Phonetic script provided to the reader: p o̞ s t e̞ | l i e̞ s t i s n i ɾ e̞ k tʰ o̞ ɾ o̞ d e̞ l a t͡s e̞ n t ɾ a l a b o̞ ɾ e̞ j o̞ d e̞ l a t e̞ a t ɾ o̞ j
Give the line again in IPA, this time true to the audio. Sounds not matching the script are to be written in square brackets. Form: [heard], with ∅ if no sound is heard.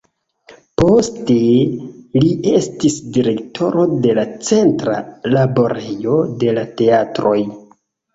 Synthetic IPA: p o̞ s t e̞ | l i e̞ s t i s [d] i ɾ e̞ k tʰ o̞ ɾ o̞ d e̞ l a t͡s e̞ n t ɾ a l a b o̞ ɾ e̞ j o̞ d e̞ l a t e̞ a t ɾ o̞ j